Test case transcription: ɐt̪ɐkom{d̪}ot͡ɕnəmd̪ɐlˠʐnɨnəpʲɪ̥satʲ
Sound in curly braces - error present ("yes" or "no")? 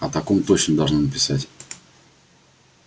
yes